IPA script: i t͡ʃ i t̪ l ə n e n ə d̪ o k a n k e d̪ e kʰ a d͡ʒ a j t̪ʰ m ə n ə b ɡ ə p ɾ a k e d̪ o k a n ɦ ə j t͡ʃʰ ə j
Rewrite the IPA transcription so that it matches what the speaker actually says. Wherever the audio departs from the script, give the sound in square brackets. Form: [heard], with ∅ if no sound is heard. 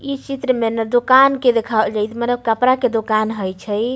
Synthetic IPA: i t͡ʃ i t̪ [ɾ] ə [m] e n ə d̪ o k a n k e d̪ e kʰ a d͡ʒ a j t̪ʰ m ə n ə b [k] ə p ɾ a k e d̪ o k a n ɦ ə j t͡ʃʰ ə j